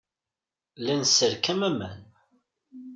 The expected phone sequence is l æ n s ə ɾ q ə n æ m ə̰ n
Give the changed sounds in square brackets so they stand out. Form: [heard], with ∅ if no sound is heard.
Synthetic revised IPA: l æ n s ə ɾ [k] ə [m] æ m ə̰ n